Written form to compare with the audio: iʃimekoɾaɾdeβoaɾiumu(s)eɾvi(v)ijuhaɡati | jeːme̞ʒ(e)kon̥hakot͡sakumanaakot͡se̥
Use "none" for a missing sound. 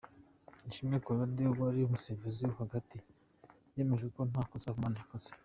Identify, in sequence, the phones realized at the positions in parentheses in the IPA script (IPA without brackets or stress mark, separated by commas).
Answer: s, z, e